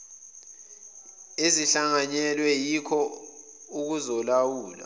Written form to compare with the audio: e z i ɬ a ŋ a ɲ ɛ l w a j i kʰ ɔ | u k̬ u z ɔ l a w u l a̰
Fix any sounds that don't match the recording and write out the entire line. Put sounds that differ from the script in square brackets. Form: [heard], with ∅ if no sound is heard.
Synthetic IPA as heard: e z i ɬ a ŋ a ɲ ɛ l w [ɛ] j i kʰ ɔ | u k̬ u z ɔ l a w [uː] l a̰